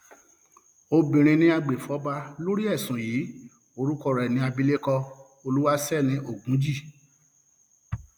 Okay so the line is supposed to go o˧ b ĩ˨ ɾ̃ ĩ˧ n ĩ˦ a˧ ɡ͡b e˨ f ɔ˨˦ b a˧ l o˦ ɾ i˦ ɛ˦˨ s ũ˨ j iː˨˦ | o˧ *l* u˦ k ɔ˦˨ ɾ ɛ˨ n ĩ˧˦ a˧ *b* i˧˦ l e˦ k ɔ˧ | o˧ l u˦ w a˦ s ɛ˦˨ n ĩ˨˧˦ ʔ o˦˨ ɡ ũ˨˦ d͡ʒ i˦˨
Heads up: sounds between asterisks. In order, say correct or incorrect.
incorrect: ɾ, correct

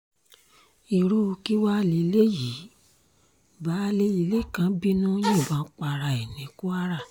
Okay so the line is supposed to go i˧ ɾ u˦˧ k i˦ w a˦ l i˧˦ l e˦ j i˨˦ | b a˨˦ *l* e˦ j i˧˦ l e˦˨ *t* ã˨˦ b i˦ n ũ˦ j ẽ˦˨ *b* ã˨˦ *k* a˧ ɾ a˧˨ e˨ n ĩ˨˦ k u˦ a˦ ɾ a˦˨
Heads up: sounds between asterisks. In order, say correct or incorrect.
correct, incorrect: k, correct, incorrect: k͡p

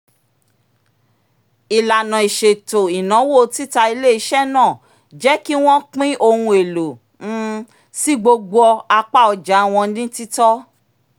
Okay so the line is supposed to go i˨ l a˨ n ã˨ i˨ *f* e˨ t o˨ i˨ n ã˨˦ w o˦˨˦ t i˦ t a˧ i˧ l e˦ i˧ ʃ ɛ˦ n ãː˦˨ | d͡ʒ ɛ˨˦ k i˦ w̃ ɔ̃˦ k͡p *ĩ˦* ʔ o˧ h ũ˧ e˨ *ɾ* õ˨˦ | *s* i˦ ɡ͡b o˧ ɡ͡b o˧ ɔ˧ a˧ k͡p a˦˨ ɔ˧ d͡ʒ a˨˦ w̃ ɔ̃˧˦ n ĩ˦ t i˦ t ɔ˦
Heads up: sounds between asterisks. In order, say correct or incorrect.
incorrect: ʃ, correct, incorrect: l, correct

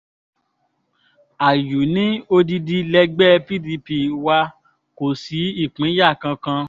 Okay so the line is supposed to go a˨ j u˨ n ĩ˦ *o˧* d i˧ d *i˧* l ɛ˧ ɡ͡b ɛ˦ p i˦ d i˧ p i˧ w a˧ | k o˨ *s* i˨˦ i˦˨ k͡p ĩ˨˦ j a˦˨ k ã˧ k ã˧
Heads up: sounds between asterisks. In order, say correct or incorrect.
correct, correct, correct

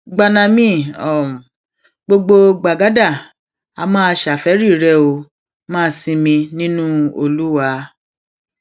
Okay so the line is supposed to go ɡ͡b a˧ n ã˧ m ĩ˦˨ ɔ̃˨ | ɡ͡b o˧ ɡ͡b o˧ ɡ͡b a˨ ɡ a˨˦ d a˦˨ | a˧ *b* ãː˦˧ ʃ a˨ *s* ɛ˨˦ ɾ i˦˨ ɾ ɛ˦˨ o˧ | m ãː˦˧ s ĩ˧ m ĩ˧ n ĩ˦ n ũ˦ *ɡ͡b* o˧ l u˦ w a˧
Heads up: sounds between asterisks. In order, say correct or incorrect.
incorrect: m, incorrect: f, incorrect: none

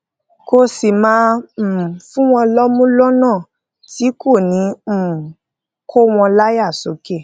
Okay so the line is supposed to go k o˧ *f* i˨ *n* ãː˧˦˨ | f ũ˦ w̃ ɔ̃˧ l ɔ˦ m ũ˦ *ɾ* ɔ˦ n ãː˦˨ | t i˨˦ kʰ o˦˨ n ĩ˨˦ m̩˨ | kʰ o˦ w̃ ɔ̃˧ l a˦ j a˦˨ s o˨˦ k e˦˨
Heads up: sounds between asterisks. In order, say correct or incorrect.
incorrect: s, incorrect: m, incorrect: l

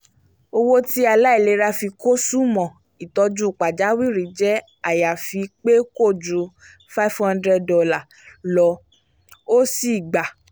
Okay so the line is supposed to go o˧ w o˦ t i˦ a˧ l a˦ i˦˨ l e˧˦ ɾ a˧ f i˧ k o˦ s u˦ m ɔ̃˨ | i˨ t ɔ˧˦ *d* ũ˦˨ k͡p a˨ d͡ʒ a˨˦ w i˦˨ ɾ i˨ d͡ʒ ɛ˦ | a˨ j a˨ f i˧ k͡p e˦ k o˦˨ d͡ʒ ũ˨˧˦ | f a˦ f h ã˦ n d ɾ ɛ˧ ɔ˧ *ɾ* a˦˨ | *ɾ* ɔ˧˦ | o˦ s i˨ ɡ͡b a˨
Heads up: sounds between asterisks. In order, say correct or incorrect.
incorrect: d͡ʒ, incorrect: l, incorrect: l

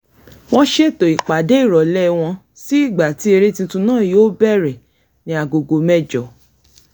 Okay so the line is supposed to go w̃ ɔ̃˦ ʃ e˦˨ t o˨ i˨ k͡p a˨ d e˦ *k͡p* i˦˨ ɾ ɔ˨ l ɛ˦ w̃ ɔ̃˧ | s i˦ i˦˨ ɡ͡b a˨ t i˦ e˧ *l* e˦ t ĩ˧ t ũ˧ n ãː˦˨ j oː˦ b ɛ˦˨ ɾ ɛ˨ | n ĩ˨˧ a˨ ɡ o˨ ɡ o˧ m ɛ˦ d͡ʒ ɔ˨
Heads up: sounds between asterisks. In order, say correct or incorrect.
incorrect: none, incorrect: ɾ

